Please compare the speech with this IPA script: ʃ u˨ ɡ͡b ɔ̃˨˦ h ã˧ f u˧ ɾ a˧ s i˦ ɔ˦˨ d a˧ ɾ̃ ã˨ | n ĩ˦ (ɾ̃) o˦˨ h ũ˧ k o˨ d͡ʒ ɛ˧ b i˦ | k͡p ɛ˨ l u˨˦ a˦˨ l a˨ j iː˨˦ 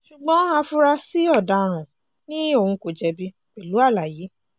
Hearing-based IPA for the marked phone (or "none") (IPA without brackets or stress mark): none